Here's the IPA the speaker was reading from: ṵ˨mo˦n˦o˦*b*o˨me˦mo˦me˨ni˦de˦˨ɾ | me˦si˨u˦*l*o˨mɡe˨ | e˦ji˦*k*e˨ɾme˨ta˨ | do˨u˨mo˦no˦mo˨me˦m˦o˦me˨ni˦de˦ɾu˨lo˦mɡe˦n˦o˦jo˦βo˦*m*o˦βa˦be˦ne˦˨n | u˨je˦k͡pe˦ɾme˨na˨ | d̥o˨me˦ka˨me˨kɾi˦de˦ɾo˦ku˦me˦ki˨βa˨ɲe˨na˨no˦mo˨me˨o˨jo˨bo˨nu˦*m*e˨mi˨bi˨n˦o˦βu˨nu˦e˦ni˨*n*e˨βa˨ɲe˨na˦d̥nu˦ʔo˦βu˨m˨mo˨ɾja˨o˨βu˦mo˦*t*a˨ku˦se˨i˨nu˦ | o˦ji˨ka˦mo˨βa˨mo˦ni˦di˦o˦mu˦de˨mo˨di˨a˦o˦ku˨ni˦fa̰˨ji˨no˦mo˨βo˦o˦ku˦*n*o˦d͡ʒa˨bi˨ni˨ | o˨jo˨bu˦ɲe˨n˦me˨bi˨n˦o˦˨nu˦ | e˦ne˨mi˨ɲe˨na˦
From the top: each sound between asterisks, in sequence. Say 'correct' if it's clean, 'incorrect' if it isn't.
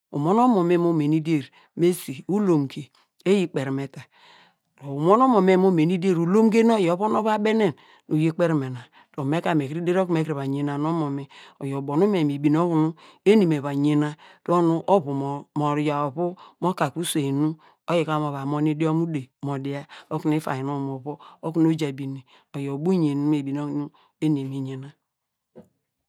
incorrect: m, correct, incorrect: k͡p, incorrect: n, correct, incorrect: m, incorrect: k, correct

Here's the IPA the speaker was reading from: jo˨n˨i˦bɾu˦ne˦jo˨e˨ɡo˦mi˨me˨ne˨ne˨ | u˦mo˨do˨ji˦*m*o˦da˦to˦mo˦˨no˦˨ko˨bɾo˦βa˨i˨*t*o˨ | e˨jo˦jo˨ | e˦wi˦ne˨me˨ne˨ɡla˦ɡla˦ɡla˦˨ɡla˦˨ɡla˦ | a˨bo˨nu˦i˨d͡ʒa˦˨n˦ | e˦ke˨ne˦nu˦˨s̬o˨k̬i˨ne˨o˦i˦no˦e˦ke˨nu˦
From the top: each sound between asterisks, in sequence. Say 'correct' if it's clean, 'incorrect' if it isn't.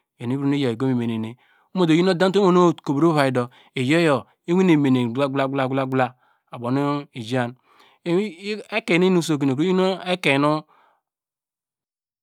incorrect: n, incorrect: d

